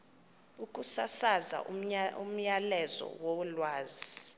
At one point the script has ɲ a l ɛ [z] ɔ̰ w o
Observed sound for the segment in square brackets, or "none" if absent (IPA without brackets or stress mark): z